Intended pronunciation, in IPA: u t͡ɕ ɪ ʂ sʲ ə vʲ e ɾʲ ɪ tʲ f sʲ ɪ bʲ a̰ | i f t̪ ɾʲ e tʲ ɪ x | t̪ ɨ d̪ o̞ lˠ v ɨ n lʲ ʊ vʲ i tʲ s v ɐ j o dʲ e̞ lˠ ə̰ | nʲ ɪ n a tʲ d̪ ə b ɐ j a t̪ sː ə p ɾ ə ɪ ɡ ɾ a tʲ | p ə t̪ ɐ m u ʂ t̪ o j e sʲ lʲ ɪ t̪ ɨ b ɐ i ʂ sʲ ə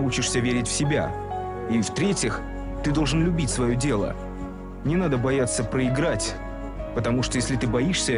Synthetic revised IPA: u t͡ɕ ɪ ʂ sʲ ə vʲ e ɾʲ ɪ tʲ f sʲ ɪ bʲ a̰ | i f t̪ ɾʲ e tʲ ɪ x | t̪ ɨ d̪ o̞ lˠ ʐ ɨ n lʲ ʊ bʲ i tʲ s v ɐ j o dʲ e̞ lˠ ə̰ | nʲ ɪ n a d̪ ə b ɐ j a t̪ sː ə p ɾ ə ɪ ɡ ɾ a tʲ | p ə t̪ ɐ m u ʂ t̪ o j e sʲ lʲ ɪ t̪ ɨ b ɐ i ʂ sʲ ə

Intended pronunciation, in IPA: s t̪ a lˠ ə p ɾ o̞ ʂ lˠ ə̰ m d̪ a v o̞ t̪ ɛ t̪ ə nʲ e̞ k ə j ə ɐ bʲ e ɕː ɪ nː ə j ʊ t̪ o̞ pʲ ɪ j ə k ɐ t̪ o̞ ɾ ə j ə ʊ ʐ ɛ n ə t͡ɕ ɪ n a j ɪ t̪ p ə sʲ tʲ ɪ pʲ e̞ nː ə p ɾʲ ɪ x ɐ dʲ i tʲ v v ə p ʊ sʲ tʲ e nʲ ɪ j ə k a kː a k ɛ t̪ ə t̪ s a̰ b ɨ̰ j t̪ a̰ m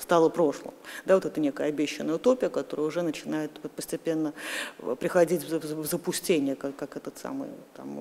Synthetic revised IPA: s t̪ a lˠ ə p ɾ o̞ ʂ lˠ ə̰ m d̪ a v o̞ t̪ ɛ t̪ ə nʲ e̞ k ə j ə ɐ bʲ e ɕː ɪ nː ə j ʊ t̪ o̞ pʲ ɪ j ə k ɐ t̪ o̞ ɾ ə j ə ʊ ʐ ɛ n ə t͡ɕ ɪ n a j ɪ t̪ p ə sʲ tʲ ɪ pʲ e̞ nː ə p ɾʲ ɪ x ɐ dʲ i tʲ v z ə p ʊ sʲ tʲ e nʲ ɪ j ə k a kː a k ɛ t̪ ə t̪ s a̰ m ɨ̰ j t̪ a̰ m

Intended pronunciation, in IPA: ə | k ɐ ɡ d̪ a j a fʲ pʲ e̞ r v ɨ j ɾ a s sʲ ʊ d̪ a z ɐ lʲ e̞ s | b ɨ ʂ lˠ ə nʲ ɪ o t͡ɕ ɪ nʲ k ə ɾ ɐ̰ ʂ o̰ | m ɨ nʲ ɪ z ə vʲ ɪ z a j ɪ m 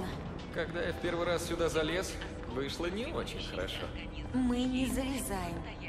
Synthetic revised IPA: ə | k ɐ ɡ d̪ a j a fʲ pʲ e̞ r v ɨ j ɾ a s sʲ ʊ d̪ a z ɐ lʲ e̞ s | v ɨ ʂ lˠ ə nʲ ɪ o t͡ɕ ɪ nʲ x ə ɾ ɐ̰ ʂ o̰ | m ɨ nʲ ɪ z ə vʲ ɪ z a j ɪ m

